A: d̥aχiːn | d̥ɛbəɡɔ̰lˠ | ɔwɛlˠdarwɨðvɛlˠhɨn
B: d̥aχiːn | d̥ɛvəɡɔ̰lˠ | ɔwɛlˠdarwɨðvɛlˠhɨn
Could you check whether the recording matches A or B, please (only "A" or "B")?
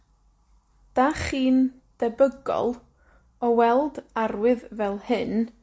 A